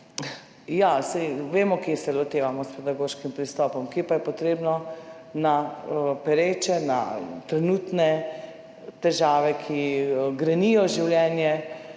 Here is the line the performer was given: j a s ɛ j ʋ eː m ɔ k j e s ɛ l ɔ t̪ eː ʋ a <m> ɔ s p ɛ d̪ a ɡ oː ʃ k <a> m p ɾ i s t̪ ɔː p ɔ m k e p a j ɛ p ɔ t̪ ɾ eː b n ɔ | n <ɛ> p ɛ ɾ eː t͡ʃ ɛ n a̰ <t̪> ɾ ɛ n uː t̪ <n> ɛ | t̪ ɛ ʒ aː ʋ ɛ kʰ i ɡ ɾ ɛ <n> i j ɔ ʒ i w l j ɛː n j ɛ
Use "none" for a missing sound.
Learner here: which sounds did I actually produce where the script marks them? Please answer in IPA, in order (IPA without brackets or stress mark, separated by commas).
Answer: m, i, a, t̪, n, n